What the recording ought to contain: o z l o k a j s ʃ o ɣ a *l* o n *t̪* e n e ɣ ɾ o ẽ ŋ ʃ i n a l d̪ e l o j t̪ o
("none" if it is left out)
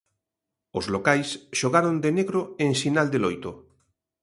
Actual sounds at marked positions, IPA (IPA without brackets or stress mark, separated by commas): ɾ, d̪